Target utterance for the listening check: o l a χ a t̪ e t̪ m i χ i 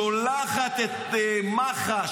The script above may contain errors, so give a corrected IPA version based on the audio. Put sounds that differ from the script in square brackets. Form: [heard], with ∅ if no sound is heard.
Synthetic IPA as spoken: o l a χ a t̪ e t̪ m [a] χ [a]